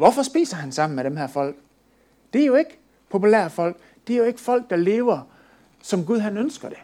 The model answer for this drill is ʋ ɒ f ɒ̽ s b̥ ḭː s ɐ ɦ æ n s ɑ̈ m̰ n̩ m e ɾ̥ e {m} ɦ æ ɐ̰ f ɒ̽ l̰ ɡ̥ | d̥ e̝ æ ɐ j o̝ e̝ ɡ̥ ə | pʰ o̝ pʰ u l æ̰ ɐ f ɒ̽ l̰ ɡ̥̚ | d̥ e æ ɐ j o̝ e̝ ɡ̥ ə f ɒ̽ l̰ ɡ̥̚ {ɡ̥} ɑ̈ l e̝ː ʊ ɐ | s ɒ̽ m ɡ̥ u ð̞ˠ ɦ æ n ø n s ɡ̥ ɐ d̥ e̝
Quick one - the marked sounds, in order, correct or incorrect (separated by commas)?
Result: correct, incorrect